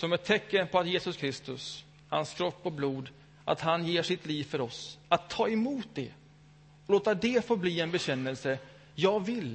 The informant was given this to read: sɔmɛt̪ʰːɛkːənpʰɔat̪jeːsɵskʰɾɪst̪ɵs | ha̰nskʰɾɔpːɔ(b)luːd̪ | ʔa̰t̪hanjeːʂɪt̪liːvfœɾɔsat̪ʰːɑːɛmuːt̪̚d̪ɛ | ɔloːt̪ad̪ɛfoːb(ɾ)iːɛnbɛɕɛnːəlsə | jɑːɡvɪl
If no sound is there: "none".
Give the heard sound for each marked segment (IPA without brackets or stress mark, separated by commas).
b, l